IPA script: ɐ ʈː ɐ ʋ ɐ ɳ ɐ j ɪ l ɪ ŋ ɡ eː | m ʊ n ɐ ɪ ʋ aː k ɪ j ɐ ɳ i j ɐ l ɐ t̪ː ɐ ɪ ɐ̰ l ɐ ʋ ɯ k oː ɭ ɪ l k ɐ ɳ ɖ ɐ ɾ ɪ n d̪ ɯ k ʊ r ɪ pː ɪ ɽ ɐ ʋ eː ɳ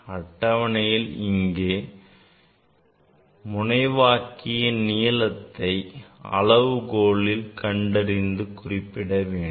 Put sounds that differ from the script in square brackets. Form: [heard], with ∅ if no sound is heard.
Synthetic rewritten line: ɐ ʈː ɐ ʋ ɐ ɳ ɐ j ɪ l ɪ ŋ ɡ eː | m ʊ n ɐ ɪ ʋ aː k ɪ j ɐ [n] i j ɐ l ɐ t̪ː ɐ ɪ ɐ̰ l ɐ ʋ ɯ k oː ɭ ɪ l k ɐ ɳ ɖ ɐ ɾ ɪ n d̪ ɯ k ʊ r ɪ pː ɪ ɽ ɐ ʋ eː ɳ